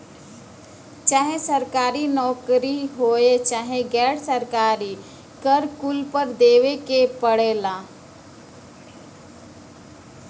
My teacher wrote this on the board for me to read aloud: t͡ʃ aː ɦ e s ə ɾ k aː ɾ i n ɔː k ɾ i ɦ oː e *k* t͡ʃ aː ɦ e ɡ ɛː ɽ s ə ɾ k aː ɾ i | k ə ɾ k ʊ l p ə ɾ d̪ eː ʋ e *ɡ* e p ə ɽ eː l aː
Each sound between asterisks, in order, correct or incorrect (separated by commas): incorrect, incorrect